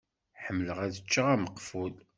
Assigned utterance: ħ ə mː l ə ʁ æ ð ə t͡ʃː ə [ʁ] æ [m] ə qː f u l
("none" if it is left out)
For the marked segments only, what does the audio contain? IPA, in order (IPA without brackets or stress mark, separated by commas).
ʁ, m